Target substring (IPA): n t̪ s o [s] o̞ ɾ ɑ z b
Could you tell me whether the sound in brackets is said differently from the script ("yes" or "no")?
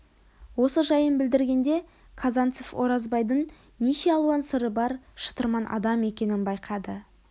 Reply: yes